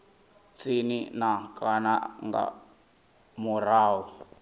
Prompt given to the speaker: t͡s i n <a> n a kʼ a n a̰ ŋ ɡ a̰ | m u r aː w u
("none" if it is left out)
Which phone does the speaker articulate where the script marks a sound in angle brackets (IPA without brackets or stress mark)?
i